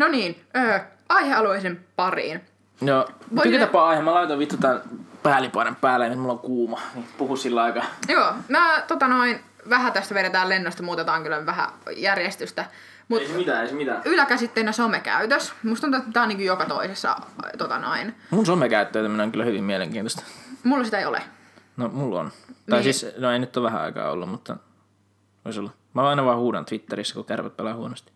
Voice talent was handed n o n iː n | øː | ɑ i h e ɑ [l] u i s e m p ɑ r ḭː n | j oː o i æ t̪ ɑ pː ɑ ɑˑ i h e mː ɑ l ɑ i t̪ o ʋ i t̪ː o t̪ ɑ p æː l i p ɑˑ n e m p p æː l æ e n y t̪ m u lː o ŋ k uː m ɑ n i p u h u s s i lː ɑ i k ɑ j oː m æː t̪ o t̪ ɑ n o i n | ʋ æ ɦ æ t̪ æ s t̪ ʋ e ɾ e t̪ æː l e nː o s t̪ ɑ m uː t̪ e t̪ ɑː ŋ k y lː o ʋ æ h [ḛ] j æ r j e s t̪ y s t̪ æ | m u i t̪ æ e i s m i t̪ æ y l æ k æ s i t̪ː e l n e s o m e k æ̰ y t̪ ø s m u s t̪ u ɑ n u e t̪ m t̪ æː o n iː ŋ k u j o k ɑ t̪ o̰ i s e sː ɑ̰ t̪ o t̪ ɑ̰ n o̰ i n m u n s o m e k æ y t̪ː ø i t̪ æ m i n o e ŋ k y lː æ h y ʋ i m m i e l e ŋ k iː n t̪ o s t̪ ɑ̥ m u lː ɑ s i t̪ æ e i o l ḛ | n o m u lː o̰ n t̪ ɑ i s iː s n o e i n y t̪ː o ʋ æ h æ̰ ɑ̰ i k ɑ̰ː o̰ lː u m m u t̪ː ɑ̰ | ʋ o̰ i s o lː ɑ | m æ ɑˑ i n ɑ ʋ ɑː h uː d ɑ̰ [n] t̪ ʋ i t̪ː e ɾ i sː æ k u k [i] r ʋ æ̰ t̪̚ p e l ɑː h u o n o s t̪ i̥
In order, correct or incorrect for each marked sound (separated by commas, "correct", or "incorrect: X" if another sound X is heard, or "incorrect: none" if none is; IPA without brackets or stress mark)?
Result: correct, incorrect: æ̰, correct, incorrect: æ